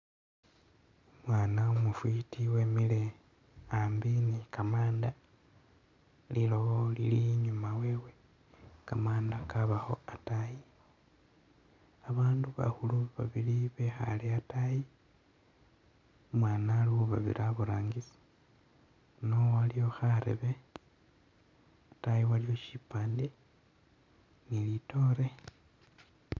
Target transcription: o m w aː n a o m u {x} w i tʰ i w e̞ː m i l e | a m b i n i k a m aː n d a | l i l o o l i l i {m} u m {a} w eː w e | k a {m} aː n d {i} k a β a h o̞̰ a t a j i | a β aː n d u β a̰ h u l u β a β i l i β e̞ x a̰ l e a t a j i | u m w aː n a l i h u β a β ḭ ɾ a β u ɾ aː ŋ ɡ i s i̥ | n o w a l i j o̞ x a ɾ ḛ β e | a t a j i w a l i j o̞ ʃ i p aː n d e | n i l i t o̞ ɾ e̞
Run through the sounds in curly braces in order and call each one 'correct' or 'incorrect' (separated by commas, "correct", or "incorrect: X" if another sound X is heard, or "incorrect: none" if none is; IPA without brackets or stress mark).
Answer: incorrect: f, incorrect: ɲ, correct, correct, incorrect: a